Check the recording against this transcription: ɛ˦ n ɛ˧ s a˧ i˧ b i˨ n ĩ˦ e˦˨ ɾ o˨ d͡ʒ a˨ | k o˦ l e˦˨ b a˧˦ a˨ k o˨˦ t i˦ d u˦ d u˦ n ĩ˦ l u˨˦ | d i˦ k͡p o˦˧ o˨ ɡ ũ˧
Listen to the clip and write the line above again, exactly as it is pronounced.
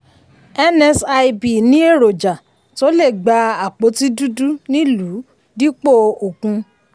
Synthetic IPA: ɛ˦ n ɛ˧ s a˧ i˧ b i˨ n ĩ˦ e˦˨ ɾ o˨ d͡ʒ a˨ | t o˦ l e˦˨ ɡ͡b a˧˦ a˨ k͡p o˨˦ t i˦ d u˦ d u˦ n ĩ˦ l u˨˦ | d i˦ k͡p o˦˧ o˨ k ũ˧